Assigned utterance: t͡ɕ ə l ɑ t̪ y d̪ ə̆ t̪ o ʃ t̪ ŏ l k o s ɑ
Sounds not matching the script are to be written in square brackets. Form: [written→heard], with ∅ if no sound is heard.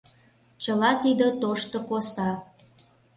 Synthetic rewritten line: t͡ɕ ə l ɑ t̪ [y→i] d̪ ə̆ t̪ o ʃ t̪ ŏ [l→∅] k o s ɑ